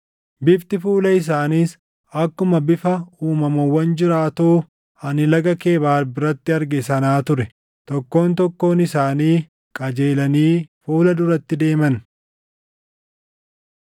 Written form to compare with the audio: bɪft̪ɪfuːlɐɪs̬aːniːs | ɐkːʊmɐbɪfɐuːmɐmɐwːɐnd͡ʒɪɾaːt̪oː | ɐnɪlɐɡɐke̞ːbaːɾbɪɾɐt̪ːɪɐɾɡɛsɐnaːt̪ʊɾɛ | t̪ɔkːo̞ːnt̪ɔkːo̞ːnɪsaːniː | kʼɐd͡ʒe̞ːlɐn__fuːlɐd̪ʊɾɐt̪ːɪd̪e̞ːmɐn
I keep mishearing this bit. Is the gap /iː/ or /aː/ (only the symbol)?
iː